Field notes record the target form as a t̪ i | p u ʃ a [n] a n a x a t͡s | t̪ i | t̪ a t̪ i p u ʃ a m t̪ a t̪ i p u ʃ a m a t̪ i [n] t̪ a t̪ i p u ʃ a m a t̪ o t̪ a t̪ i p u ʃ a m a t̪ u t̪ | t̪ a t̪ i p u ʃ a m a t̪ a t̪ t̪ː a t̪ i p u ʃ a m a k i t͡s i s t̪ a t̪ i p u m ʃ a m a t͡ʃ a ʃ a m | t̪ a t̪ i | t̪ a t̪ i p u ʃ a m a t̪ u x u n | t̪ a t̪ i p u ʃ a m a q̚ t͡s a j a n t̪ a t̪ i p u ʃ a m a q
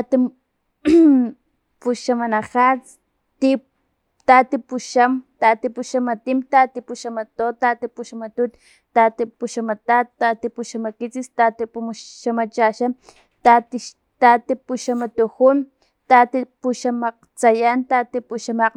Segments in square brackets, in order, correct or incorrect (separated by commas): incorrect, incorrect